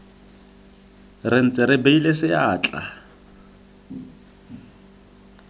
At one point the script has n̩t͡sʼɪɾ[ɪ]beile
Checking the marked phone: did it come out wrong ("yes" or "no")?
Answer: no